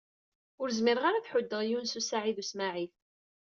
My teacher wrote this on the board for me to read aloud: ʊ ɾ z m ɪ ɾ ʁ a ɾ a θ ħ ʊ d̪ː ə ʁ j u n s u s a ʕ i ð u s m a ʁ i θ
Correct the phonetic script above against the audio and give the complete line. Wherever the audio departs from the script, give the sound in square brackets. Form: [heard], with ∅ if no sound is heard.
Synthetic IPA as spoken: ʊ ɾ z m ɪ ɾ ʁ a ɾ a θ ħ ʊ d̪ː ə ʁ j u n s u s a ʕ i ð u s m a [ʕ] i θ